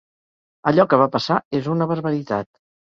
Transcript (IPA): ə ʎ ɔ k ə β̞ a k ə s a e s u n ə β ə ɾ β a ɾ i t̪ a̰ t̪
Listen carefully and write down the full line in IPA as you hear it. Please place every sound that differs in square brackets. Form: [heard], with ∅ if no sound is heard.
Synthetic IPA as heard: ə ʎ ɔ k ə β̞ a [p] ə s a e [z] u n ə β ə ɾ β [ə] ɾ i t̪ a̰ t̪